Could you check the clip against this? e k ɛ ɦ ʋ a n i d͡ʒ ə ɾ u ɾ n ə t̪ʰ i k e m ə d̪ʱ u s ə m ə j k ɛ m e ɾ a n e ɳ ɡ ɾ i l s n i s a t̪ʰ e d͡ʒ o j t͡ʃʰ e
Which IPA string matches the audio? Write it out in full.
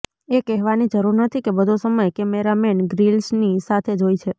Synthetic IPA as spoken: e k ɛ ɦ ʋ a n i d͡ʒ ə ɾ u ɾ n ə t̪ʰ i k e b ə d̪ʱ o s ə m ə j k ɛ m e ɾ a m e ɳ ɡ ɾ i l s n i s a t̪ʰ e d͡ʒ o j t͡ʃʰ e